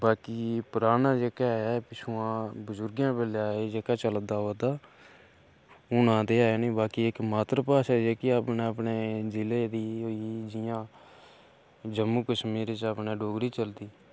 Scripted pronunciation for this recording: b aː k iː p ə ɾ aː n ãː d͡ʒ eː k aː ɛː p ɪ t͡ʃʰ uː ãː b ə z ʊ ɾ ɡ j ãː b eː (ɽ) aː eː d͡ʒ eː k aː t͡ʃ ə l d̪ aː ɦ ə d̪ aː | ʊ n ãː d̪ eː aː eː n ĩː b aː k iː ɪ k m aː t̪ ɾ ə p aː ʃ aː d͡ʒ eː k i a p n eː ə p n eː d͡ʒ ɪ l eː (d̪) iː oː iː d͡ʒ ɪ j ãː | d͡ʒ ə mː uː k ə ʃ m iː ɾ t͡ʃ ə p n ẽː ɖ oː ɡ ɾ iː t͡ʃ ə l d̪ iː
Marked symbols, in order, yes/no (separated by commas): no, yes